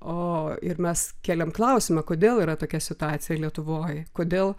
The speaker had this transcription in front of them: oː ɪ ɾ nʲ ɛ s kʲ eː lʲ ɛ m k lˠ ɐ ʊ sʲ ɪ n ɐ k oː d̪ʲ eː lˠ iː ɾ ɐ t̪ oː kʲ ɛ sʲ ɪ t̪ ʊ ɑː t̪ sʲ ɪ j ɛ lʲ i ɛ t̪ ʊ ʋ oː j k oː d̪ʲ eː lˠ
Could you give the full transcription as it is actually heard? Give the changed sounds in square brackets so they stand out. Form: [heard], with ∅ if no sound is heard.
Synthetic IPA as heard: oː ɪ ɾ [mʲ] ɛ s kʲ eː lʲ ɛ m k lˠ ɐ ʊ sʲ ɪ [m] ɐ k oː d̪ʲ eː lˠ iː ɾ ɐ t̪ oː kʲ ɛ sʲ ɪ t̪ ʊ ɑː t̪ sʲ ɪ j ɛ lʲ i ɛ t̪ ʊ ʋ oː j k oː d̪ʲ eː lˠ